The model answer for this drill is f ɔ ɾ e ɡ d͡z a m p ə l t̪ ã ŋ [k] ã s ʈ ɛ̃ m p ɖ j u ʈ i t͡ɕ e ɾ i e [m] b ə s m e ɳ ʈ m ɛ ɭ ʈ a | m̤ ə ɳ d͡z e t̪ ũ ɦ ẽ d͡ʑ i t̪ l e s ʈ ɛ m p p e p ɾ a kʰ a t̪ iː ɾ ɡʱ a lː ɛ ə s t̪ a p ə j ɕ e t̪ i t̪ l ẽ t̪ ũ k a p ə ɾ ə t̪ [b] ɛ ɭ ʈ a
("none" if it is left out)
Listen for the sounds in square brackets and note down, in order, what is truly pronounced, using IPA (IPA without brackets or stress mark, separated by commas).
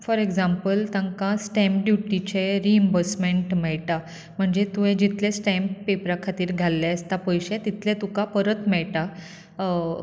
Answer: k, m, m